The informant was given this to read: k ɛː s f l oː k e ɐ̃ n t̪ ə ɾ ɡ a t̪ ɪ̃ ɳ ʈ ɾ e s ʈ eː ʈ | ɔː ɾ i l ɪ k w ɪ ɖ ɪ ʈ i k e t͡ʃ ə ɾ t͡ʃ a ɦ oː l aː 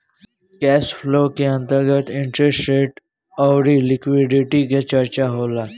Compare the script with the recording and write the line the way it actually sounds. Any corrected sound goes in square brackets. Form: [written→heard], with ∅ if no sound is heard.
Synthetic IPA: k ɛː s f l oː k e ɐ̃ n t̪ ə ɾ ɡ [a→ə] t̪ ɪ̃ ɳ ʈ ɾ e s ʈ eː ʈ | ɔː ɾ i l ɪ k w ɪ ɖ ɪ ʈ i k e t͡ʃ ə ɾ t͡ʃ a ɦ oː l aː